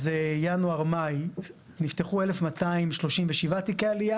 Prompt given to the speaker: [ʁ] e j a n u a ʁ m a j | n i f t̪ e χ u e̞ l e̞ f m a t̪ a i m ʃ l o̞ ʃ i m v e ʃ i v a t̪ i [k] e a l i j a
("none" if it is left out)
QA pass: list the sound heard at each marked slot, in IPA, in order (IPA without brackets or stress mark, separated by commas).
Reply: z, k